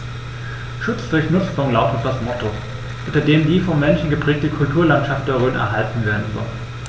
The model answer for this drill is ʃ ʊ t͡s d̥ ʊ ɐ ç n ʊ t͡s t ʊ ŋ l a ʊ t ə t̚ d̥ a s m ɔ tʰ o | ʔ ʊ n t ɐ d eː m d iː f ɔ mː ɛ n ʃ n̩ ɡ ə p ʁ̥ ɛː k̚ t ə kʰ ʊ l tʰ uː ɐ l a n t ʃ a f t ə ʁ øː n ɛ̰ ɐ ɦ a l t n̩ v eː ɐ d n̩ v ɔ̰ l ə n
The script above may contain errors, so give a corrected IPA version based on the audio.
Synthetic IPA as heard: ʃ ʊ t͡s d̥ ʊ ɐ ç n ʊ t͡s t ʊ ŋ l a ʊ t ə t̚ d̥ a s m ɔ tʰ o | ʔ ʊ n t ɐ d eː m d iː f ɔ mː ɛ n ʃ n̩ ɡ ə p ʁ̥ ɛː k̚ t ə kʰ ʊ l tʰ uː ɐ l a n t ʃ a f t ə ʁ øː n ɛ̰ ɐ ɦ a l t n̩ v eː ɐ d n̩ z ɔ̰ l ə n